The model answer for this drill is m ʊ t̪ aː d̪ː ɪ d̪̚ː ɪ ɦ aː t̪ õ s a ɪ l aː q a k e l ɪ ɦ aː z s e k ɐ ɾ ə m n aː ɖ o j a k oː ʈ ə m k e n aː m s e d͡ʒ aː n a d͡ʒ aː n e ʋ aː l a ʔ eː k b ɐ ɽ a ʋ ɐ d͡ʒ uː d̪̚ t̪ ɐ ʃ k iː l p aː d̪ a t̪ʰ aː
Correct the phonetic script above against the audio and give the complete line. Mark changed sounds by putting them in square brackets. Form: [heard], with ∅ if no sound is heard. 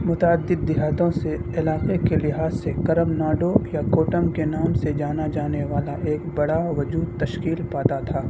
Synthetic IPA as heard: m ʊ t̪ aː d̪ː ɪ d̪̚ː ɪ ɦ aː t̪ õ s [e] ɪ l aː q [e] k e l ɪ ɦ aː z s e k ɐ ɾ ə m n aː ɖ o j a k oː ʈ ə m k e n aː m s e d͡ʒ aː n a d͡ʒ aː n e ʋ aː l a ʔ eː k b ɐ ɽ a ʋ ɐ d͡ʒ uː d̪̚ t̪ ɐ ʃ k iː l p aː [t̪] a t̪ʰ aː